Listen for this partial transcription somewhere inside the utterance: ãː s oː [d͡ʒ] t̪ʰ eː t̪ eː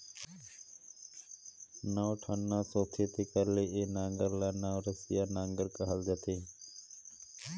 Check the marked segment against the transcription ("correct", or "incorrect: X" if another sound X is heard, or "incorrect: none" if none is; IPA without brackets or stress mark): incorrect: none